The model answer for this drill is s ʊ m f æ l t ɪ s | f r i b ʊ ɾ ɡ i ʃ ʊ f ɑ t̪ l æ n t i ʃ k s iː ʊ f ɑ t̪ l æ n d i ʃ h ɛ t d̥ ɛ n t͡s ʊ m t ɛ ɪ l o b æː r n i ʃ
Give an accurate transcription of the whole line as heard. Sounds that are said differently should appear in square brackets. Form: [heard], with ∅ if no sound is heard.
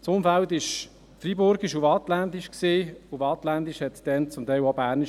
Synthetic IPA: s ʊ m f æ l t ɪ [ʃ] | f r i b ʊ ɾ ɡ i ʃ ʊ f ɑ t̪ l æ n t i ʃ k s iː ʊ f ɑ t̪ l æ n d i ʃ h ɛ t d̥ ɛ n t͡s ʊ m t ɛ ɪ l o b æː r n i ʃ